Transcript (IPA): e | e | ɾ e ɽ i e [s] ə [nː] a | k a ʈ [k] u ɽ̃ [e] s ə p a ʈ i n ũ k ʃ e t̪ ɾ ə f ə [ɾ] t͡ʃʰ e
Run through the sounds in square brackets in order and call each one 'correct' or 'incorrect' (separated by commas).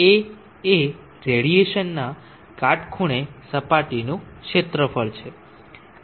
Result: incorrect, correct, incorrect, correct, incorrect